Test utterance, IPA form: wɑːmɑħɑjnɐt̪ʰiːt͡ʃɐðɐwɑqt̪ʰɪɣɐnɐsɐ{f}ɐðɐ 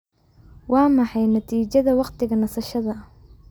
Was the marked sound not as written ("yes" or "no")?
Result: yes